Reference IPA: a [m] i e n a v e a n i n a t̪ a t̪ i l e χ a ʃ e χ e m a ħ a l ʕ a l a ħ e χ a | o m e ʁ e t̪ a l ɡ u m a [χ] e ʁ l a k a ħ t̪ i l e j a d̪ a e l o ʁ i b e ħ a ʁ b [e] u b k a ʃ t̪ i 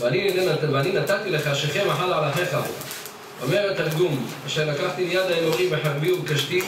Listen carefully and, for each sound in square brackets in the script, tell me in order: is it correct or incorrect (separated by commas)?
incorrect, incorrect, incorrect